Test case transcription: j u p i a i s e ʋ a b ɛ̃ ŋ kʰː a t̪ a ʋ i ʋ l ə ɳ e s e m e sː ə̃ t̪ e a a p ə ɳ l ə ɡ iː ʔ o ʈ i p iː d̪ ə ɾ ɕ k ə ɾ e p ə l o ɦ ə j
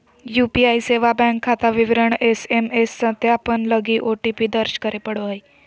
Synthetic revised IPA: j u p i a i s e ʋ a b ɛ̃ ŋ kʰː a t̪ a ʋ i ʋ ɾ ə ɳ e s e m e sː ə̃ t̪ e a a p ə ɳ l ə ɡ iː ʔ o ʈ i p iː d̪ ə ɾ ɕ k ə ɾ e p ə ɽ o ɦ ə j